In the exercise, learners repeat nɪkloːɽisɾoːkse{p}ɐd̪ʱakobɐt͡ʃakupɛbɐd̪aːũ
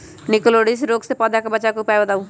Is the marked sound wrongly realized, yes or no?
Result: no